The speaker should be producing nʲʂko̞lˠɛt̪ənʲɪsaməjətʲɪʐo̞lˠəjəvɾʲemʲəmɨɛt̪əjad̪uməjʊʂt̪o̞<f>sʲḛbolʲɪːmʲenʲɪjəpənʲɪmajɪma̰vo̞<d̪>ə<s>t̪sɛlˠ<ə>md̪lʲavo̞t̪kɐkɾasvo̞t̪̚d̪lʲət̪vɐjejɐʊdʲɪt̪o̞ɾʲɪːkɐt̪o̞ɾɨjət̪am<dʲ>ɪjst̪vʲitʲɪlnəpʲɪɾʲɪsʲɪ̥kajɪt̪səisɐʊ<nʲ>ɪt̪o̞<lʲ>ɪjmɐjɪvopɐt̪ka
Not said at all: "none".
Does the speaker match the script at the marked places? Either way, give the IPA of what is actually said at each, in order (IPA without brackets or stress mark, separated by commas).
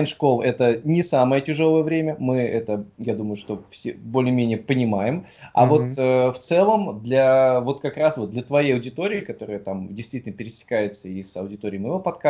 f, t̪, f, ə, dʲ, dʲ, ɾʲ